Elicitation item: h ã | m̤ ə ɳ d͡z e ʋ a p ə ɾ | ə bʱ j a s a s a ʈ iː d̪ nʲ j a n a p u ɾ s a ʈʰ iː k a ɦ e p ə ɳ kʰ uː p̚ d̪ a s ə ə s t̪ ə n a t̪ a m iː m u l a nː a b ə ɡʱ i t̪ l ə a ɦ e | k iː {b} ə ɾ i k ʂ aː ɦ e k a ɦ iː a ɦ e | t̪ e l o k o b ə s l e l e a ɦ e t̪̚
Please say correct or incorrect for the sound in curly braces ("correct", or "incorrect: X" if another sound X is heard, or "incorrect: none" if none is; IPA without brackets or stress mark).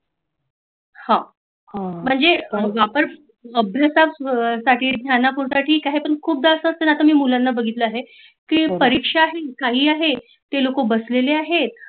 incorrect: p